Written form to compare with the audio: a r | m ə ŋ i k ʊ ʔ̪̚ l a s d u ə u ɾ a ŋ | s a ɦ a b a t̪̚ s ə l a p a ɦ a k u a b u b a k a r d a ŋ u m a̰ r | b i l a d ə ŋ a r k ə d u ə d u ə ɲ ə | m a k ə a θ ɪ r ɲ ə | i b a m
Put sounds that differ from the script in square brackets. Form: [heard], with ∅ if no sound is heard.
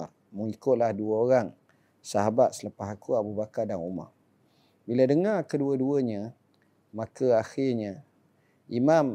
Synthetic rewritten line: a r | m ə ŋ i k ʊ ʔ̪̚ l a [h] d u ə [o] ɾ a ŋ | s a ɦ a b a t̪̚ s ə l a p a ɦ a k u a b u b a k a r d a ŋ u m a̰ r | b i l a d ə ŋ a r k ə d u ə d u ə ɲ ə | m a k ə a [x] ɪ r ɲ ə | i [m] a m